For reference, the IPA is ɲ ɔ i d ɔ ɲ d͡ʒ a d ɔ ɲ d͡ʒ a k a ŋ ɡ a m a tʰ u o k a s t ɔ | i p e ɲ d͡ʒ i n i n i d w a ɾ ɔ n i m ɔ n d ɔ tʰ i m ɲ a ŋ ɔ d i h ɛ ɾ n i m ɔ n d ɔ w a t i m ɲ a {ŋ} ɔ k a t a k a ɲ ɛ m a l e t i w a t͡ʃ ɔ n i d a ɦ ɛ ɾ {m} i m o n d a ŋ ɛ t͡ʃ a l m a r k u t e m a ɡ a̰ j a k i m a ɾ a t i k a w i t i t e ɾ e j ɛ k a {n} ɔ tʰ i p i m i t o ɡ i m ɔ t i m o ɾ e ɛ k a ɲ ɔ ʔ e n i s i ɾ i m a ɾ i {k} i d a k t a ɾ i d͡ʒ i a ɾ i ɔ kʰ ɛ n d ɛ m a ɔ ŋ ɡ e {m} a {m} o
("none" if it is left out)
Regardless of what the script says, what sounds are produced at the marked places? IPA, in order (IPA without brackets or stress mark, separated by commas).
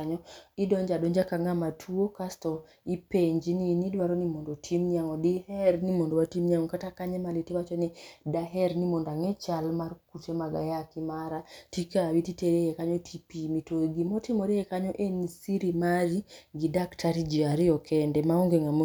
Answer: ŋ, n, ɲ, ɡ, ŋ, m